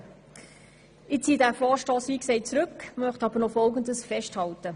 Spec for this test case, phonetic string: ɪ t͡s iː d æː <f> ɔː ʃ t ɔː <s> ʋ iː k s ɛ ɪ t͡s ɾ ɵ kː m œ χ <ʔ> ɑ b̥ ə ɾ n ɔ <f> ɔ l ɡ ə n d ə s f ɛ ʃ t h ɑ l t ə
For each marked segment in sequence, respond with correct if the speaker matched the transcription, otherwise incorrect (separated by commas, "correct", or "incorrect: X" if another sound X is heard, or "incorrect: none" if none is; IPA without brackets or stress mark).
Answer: correct, correct, incorrect: t, correct